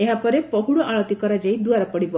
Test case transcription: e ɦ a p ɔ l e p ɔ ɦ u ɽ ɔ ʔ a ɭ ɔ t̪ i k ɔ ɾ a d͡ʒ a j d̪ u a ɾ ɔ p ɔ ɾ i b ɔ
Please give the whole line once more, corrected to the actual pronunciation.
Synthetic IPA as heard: e ɦ a p ɔ ɾ e p ɔ ɦ u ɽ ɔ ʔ a ɭ ɔ t̪ i k ɔ ɾ a d͡ʒ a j d̪ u a ɾ ɔ p ɔ ɽ i b ɔ